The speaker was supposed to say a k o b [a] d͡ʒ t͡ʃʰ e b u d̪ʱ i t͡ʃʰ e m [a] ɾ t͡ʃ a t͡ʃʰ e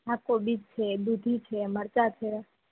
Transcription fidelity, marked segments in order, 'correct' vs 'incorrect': incorrect, incorrect

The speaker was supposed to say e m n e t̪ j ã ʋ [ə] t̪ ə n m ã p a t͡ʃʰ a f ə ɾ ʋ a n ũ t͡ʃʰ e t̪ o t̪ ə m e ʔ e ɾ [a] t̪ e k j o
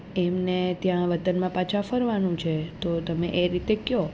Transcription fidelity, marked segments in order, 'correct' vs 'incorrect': correct, incorrect

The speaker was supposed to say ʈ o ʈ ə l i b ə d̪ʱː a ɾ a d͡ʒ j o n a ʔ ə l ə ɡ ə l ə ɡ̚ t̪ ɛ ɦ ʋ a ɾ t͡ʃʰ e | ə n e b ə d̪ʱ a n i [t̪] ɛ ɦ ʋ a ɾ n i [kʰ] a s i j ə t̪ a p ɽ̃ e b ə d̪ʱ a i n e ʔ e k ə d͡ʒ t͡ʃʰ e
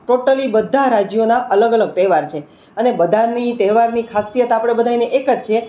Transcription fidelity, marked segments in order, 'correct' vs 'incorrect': correct, correct

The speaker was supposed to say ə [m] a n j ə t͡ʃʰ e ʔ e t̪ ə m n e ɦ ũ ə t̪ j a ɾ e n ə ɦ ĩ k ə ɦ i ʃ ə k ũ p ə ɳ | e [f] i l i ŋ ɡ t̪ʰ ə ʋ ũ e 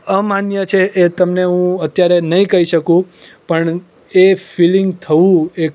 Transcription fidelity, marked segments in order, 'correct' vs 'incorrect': correct, correct

